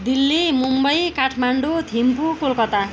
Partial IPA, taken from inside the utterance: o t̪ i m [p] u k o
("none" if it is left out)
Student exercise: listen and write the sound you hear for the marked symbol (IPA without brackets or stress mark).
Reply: p